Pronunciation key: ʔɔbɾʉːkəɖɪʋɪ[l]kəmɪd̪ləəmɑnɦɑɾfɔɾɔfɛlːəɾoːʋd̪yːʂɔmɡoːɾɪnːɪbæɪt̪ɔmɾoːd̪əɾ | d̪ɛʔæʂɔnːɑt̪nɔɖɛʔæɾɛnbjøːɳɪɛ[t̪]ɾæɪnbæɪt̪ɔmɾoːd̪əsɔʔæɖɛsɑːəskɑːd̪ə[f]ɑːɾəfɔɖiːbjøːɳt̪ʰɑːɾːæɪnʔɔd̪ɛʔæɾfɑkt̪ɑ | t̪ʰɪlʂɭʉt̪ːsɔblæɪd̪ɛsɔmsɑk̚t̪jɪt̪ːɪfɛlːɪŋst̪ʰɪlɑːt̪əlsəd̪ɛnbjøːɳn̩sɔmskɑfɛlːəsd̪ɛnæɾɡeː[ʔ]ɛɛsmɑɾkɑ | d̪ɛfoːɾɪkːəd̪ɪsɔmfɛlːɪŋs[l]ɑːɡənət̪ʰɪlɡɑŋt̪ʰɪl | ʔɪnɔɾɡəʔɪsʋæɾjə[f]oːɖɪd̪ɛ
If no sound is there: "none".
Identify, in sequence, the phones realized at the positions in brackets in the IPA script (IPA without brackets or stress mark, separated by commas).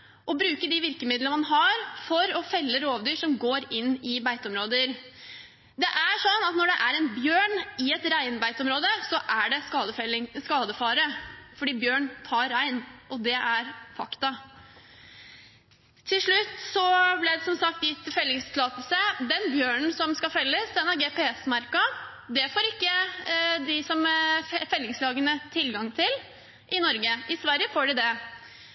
ɾ, t̪, f, p, l, f